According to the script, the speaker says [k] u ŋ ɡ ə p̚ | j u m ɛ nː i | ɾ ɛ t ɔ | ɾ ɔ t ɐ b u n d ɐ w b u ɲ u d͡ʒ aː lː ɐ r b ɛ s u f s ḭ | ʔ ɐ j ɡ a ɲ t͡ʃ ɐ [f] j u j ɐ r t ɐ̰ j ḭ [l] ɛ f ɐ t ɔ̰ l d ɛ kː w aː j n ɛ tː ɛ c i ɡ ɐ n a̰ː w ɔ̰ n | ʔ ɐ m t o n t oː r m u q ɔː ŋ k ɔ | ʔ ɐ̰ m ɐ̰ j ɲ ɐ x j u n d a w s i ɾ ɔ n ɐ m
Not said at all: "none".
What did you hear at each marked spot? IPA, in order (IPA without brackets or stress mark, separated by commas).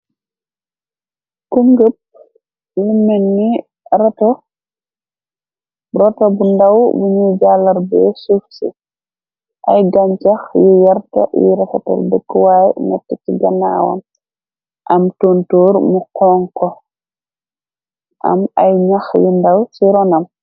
k, x, ɾ